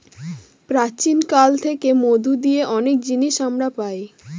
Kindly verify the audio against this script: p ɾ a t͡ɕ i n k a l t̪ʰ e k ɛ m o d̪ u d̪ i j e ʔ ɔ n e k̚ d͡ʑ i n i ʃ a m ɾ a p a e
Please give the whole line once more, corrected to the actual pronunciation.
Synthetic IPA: p ɾ a t͡ɕ i n k a l t̪ʰ e k e m o d̪ u d̪ i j e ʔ ɔ n e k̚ d͡ʑ i n i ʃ a m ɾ a p a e